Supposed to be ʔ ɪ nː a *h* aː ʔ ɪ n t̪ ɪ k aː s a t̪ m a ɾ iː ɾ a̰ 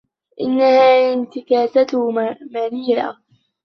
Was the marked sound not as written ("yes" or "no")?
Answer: no